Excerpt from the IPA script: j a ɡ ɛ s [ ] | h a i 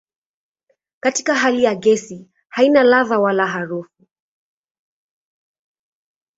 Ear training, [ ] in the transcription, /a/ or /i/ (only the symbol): i